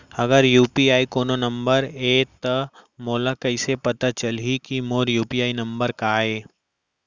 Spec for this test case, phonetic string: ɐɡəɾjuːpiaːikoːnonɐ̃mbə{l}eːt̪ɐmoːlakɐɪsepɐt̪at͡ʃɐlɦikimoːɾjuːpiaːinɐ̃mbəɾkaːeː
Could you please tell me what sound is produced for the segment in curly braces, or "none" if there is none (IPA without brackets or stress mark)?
ɾ